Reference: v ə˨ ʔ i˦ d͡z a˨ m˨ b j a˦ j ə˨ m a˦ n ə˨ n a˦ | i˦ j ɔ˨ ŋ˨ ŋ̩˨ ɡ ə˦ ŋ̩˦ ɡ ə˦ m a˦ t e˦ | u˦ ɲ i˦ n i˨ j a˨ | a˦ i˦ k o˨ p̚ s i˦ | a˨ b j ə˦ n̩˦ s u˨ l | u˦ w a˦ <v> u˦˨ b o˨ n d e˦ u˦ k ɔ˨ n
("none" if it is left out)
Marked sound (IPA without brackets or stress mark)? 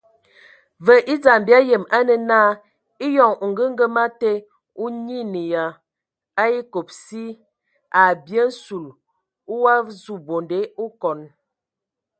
z